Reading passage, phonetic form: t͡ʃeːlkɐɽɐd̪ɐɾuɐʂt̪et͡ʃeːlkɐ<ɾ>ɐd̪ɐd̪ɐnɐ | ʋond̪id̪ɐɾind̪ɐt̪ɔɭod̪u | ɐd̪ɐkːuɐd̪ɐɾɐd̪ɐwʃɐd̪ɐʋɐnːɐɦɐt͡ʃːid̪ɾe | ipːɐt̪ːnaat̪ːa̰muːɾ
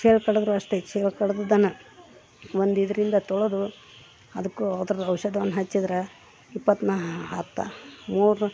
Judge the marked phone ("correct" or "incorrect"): incorrect